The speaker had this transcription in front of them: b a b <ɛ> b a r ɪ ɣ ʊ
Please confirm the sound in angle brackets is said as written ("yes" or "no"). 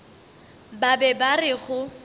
yes